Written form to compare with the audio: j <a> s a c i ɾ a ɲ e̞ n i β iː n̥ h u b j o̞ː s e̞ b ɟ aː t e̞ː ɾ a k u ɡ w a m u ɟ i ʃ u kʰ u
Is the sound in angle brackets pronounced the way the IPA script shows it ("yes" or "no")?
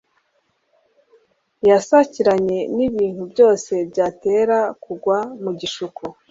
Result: yes